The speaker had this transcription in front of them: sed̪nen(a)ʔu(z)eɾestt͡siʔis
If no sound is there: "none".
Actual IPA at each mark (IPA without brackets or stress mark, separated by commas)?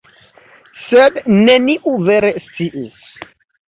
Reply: i, v